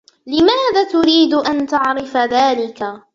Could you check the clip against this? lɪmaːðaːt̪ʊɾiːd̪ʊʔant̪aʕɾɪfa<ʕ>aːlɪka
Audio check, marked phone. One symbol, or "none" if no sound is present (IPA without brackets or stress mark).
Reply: ð